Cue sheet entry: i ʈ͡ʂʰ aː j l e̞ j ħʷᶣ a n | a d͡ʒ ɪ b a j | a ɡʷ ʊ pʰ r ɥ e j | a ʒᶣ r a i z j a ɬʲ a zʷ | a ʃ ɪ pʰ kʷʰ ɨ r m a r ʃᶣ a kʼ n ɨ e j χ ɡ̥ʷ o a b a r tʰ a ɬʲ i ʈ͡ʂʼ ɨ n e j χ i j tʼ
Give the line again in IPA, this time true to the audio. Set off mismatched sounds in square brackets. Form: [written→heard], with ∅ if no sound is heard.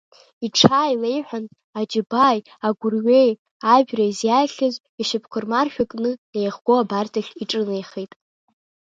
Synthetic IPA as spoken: i ʈ͡ʂʰ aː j l e̞ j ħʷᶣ a n | a d͡ʒ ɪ b a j | a ɡʷ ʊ [pʰ→∅] r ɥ e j | a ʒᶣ r a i z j a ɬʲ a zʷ | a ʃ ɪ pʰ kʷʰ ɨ r m a r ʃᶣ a kʼ n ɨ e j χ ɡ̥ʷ o a b a r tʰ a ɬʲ i ʈ͡ʂʼ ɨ n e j χ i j tʼ